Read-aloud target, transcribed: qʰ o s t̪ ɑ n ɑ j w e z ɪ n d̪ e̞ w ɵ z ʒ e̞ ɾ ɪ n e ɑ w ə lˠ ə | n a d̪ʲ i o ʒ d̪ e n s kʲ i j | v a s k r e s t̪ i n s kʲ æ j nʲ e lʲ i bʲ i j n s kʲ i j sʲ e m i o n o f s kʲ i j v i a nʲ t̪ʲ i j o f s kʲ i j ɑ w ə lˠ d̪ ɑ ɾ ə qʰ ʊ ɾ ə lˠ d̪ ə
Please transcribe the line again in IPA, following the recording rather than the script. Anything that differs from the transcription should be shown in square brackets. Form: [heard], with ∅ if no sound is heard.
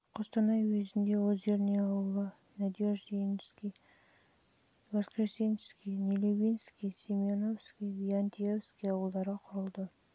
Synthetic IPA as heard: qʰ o s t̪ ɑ n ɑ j w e z ɪ n d̪ e̞ w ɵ z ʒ e̞ ɾ ɪ n e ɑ w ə lˠ ə | n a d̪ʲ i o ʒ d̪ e n s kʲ i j | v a s k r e s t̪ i n s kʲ [i] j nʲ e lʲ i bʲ i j n s kʲ i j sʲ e m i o n o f s kʲ i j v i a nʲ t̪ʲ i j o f s kʲ i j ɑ w ə lˠ d̪ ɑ ɾ ə qʰ ʊ ɾ ə lˠ d̪ ə